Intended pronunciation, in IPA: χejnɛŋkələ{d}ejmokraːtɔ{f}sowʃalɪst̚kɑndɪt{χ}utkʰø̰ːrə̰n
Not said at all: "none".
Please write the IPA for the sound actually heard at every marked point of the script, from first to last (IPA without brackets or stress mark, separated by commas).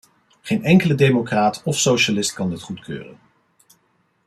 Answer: d, f, χ